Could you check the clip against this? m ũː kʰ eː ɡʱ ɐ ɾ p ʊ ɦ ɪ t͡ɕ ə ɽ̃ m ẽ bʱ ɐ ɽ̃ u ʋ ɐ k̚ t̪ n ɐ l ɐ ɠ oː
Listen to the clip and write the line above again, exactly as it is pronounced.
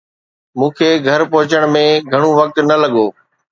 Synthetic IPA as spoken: m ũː kʰ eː ɡʱ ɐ ɾ p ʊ ɦ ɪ t͡ɕ ə ɽ̃ m ẽ ɡʱ ɐ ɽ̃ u ʋ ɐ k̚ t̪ n ɐ l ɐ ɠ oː

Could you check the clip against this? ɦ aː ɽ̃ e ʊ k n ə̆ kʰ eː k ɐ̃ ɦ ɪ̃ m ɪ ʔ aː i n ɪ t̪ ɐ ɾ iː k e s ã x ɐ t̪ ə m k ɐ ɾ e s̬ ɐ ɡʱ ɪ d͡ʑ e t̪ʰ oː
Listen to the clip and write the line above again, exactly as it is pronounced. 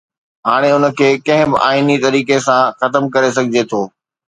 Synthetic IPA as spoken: ɦ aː ɽ̃ e ʊ n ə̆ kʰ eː k ɐ̃ ɦ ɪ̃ b ɪ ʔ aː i n i t̪ ɐ ɾ iː k e s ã x ɐ t̪ ə m k ɐ ɾ e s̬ ɐ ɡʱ ɪ d͡ʑ e t̪ʰ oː

